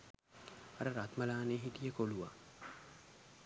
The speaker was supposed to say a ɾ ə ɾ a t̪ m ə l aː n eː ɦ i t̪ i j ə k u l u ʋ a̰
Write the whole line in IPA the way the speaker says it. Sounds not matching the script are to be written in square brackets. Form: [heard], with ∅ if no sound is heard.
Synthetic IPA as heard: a ɾ ə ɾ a t̪ m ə l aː n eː ɦ i t̪ i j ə k [o] l u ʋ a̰